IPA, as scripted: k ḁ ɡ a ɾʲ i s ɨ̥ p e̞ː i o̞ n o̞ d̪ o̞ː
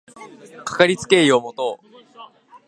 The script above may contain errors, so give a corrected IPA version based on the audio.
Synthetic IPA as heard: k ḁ k a ɾʲ i t͡s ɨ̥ k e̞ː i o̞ m o̞ t̪ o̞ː